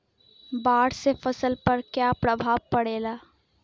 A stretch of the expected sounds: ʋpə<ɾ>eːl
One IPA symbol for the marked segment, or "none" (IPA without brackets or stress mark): ɽ